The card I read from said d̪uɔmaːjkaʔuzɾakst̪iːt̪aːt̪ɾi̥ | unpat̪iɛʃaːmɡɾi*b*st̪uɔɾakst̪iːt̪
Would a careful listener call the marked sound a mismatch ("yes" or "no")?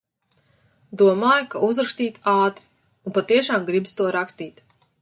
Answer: no